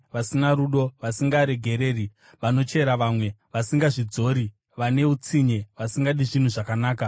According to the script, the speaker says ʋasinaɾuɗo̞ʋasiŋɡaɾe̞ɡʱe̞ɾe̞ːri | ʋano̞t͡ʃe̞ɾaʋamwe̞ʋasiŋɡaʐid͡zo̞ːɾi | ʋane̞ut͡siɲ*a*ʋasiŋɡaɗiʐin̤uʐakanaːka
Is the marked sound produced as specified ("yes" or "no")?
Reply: no